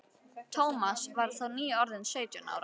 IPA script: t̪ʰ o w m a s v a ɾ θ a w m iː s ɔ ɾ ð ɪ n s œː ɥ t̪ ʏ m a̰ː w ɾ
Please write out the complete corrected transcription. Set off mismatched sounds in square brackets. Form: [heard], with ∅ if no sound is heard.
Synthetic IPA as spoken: t̪ʰ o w m a s v a ɾ θ a w [n] iː [∅] ɔ ɾ ð ɪ n s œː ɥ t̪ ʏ [n] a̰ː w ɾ